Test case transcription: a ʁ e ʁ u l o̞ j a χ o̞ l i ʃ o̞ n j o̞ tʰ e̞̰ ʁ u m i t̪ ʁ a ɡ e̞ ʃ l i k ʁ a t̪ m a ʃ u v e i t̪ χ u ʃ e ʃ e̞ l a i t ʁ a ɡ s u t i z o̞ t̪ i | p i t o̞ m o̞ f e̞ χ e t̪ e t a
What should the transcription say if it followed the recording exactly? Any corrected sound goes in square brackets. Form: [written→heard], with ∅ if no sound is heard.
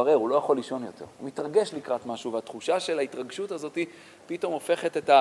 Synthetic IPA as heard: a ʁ e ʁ u l o̞ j a χ o̞ l i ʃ o̞ n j o̞ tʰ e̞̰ ʁ u m i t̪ ʁ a ɡ e̞ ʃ l i k ʁ a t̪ m a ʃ u v e [i→a] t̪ χ u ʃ [e→a] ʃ e̞ l a i t ʁ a ɡ [s→ʃ] u t [i→a] z o̞ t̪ i | p i t o̞ m o̞ f e̞ χ e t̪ e t a